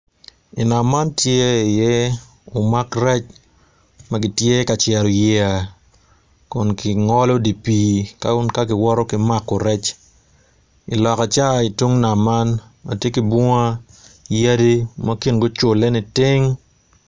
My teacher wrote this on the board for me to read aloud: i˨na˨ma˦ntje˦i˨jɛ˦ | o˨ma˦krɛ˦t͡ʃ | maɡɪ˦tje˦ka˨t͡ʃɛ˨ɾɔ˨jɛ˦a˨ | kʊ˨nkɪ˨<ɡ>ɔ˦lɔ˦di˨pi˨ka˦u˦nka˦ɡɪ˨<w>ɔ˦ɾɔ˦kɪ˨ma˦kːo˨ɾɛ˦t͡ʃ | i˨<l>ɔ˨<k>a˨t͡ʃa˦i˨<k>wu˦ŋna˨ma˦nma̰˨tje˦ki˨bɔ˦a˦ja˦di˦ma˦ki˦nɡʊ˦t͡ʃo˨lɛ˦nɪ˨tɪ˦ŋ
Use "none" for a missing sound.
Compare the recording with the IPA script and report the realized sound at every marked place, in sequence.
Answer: ŋ, w, l, k, t

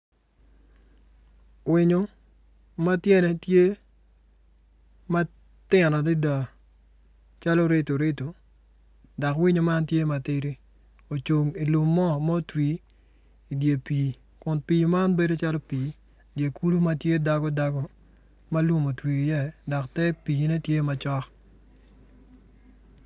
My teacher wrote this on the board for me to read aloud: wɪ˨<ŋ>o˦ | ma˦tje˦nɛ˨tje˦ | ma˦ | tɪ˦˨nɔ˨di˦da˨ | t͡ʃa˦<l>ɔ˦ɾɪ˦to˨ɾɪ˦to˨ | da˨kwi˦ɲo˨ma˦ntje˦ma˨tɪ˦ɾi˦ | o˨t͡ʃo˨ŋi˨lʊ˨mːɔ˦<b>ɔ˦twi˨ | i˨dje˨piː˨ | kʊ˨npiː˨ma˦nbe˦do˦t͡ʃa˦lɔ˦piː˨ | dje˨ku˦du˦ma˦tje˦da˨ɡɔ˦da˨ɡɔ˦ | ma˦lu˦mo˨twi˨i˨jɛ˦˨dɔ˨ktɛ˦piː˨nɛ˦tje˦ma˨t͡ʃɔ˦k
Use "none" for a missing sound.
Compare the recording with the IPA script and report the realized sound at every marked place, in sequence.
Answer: ɲ, l, m

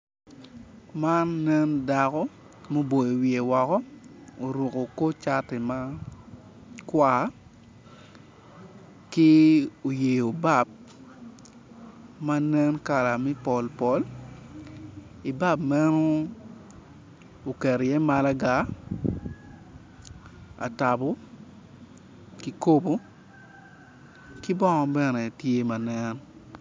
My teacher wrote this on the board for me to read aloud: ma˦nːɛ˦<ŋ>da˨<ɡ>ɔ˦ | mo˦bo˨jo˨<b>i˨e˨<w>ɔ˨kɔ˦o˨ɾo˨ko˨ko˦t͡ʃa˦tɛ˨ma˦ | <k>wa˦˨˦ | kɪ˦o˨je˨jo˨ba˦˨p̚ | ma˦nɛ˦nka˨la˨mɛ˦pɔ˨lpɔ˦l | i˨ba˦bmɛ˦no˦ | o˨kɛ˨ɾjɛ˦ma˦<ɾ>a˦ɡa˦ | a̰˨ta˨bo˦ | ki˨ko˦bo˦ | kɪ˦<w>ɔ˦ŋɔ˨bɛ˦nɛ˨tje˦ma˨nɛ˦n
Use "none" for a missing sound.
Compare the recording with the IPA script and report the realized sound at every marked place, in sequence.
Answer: n, k, w, w, k, l, b

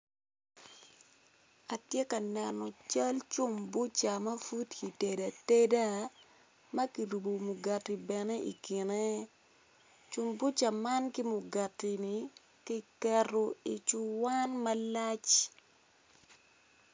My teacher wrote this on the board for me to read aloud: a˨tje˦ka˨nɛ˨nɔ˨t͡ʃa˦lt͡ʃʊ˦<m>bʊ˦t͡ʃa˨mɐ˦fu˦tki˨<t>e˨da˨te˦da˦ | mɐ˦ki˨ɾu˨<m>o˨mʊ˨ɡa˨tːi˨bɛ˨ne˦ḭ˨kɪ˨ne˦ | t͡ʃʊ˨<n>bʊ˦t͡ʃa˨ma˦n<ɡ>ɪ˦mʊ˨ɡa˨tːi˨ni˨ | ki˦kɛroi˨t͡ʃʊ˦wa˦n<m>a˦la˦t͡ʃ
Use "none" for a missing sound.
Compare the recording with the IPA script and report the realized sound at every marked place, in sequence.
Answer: m, t, b, m, k, m

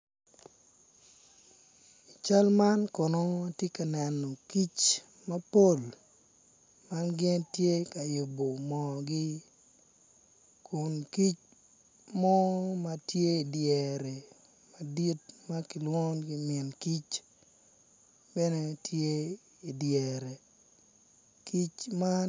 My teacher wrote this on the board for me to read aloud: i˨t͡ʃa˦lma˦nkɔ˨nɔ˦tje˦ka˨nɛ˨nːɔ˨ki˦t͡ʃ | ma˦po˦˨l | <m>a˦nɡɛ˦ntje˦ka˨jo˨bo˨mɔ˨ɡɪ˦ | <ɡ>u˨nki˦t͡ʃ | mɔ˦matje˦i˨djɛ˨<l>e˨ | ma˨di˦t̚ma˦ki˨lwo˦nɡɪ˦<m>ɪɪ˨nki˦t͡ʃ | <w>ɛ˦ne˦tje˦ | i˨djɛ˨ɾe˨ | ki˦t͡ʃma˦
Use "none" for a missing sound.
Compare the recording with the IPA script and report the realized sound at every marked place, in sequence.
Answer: m, k, ɾ, m, b

